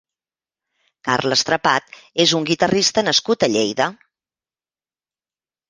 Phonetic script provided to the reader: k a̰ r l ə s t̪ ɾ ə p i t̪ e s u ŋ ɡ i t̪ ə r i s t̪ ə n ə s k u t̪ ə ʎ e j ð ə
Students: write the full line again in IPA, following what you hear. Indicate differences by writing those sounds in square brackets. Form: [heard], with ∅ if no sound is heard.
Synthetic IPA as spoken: k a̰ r l ə s t̪ ɾ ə p [a] t̪ e [z] u ŋ ɡ i t̪ ə r i s t̪ ə n ə s k u t̪ ə ʎ e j ð ə

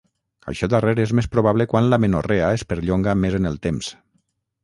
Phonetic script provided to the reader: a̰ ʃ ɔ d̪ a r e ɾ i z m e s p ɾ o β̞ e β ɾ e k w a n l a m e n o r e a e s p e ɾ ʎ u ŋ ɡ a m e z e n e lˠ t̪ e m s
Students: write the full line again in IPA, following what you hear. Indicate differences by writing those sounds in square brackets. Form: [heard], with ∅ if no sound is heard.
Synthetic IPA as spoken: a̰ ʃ ɔ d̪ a r e ɾ [e] z m e s p ɾ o β̞ [a] β [l] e k w a n l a m e n o r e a e s p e ɾ ʎ [o] ŋ ɡ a m e z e n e lˠ t̪ e m s

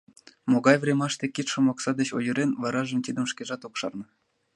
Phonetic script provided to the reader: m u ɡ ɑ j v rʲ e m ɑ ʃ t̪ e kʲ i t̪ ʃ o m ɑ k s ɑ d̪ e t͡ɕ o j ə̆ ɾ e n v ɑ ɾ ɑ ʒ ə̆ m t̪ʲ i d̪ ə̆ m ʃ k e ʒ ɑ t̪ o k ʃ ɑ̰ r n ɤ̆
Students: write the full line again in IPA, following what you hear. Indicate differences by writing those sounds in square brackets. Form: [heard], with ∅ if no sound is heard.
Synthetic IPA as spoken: m [o] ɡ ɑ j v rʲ e m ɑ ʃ t̪ e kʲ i t̪ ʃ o m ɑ k s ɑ d̪ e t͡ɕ o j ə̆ ɾ e n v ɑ ɾ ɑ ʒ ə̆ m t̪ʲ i d̪ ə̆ m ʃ k e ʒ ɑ t̪ o k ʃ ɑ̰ r n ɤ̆

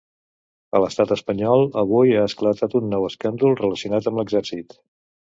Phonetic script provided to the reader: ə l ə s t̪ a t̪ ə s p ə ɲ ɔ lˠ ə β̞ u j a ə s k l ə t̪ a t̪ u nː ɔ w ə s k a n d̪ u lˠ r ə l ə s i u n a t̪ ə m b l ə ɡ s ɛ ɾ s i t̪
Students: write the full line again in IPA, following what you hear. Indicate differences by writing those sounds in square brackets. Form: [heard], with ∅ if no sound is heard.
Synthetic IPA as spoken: ə l ə s t̪ a t̪ ə s p ə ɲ ɔ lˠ ə β̞ u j a ə s k l ə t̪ a t̪ u nː ɔ w ə s k a n d̪ u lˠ r ə l ə s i u n a t̪ ə m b l ə ɡ [z] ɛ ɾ s i t̪

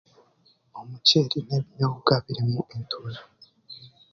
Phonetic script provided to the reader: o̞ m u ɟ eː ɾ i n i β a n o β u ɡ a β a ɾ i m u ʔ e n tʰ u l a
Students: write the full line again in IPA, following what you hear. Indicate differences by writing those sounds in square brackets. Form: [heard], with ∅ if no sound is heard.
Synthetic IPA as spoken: o̞ m u [c] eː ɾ i n [e] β [i] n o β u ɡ a β [i] ɾ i m u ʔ e n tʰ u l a

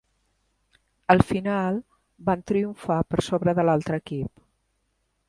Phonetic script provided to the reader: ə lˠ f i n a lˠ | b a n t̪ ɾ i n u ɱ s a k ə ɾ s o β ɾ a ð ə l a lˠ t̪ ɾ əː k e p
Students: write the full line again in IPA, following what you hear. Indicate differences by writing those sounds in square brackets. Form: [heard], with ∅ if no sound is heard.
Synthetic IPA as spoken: ə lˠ f i n a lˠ | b a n t̪ ɾ i [∅] u ɱ [f] a [p] ə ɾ s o β ɾ [ə] ð ə l a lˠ t̪ ɾ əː k [i] p

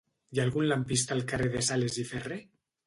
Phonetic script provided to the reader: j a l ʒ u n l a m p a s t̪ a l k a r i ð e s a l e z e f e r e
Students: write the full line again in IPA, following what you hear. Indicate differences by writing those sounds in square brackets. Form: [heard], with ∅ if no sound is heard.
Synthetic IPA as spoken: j a l [ɣ] u n l a m p [i] s t̪ a l k a r [e] ð e s a l e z [i] f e r e

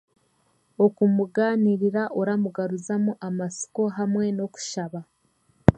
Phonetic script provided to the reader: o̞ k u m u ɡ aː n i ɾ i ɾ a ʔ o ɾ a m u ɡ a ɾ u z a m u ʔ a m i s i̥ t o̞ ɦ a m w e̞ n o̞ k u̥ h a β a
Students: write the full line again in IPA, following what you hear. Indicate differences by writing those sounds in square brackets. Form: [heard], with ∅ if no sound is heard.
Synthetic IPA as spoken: o̞ k u m u ɡ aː n i ɾ i ɾ a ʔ o ɾ a m u ɡ a ɾ u z a m u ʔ a m [a] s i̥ [k] o̞ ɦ a m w e̞ n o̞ k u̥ [ʃ] a β a

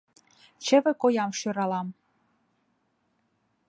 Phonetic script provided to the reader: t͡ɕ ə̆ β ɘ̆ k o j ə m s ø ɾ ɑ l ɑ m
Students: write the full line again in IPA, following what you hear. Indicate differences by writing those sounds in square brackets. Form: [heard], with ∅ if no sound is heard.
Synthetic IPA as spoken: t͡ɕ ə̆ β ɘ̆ k o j [ɑ] m [ʃ] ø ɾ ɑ l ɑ m

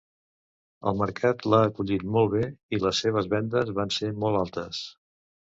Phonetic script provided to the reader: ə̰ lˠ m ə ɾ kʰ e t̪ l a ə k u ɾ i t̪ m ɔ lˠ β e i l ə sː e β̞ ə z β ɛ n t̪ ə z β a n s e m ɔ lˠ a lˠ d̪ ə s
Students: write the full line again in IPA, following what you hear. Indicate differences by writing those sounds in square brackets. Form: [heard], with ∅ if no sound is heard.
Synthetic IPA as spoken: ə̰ lˠ m ə ɾ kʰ [a] t̪ l a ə k u [ʎ] i t̪ m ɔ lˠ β e i l ə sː e β̞ ə z β ɛ n [d̪] ə z β a n s e m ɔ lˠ a lˠ [t̪] ə s

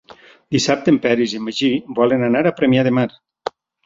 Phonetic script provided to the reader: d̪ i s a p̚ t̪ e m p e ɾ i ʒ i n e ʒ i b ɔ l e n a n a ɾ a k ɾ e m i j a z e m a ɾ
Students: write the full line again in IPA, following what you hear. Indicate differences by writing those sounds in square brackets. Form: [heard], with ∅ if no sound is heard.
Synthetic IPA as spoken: d̪ i s a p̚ t̪ e m p [ɛ] ɾ i [z] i [m] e ʒ i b ɔ l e n a n a ɾ a [p] ɾ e m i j a [ð] e m a ɾ

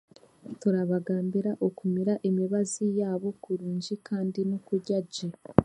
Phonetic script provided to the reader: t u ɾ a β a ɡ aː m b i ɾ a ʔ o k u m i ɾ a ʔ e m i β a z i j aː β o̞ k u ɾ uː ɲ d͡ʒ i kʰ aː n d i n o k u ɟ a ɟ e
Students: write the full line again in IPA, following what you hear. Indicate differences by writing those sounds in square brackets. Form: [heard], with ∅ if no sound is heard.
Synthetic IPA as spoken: t u ɾ a β a ɡ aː m b i ɾ a ʔ o k u m i ɾ a ʔ e m i β a z i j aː β o̞ k u ɾ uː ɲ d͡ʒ i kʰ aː n d i n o k u ɟ a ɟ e

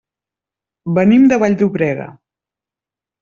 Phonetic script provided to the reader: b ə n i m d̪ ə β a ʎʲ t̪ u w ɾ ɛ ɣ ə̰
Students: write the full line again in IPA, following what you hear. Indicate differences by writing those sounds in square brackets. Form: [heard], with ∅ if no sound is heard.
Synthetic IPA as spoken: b ə n i m d̪ ə β a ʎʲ [d̪] u [β] ɾ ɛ ɣ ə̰

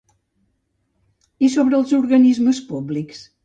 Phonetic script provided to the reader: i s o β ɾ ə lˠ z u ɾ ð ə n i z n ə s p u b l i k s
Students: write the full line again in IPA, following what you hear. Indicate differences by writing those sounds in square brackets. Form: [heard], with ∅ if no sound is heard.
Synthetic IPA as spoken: i s o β ɾ ə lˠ z u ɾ [ɣ] ə n i z [m] ə s p u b l i k s

